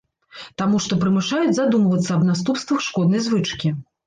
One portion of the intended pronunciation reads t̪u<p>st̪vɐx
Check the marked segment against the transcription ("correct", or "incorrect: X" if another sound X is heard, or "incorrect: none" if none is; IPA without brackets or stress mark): correct